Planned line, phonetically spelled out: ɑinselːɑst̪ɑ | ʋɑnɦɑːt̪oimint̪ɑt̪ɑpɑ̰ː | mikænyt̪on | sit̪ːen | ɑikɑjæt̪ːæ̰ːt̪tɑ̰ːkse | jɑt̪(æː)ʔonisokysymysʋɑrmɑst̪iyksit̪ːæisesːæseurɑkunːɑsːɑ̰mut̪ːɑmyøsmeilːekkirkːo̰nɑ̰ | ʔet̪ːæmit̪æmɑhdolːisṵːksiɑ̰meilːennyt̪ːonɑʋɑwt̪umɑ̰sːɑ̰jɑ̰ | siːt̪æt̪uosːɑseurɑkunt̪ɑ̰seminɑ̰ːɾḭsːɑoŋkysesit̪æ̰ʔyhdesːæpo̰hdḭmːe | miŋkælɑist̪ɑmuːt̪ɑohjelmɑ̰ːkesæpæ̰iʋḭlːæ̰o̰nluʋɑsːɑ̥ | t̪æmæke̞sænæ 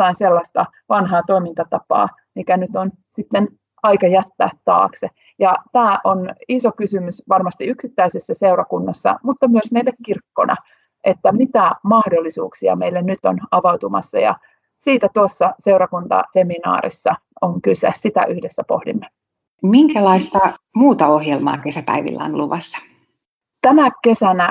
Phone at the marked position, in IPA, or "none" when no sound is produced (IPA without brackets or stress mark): æː